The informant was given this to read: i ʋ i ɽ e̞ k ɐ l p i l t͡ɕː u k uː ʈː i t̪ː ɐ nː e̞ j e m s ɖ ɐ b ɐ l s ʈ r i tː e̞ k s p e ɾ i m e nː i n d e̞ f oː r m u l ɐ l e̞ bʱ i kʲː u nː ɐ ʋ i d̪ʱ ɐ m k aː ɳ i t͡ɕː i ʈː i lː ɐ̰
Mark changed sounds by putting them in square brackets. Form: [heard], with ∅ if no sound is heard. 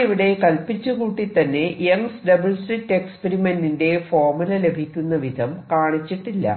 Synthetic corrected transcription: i ʋ i ɽ e̞ k ɐ l p i [∅] t͡ɕː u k uː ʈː i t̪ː ɐ nː e̞ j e [ŋ] s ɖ ɐ b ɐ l s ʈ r i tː e̞ k s p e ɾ i m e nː i n d e̞ f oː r m u l ɐ l e̞ bʱ i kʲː u nː ɐ ʋ i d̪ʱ ɐ m k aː ɳ i t͡ɕː i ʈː i lː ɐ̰